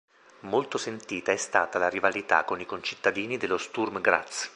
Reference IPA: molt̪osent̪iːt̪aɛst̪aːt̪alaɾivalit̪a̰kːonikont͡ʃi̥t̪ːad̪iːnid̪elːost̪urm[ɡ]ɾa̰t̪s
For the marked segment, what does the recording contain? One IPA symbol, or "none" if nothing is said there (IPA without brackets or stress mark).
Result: ɡ